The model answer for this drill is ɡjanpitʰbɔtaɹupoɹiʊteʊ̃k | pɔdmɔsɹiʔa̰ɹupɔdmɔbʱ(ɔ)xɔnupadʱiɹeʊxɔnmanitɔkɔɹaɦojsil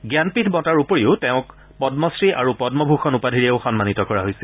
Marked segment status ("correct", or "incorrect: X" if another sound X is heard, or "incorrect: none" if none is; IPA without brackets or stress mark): incorrect: u